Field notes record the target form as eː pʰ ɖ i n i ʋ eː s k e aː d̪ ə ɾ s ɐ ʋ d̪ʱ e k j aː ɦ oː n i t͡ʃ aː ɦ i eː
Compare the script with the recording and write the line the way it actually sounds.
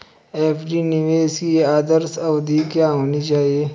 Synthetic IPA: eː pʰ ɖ i n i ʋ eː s k i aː d̪ ə ɾ s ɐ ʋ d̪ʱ i k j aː ɦ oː n i t͡ʃ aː ɦ i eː